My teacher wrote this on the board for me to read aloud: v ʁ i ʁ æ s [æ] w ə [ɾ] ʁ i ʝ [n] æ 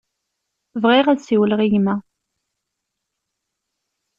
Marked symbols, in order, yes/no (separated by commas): no, no, no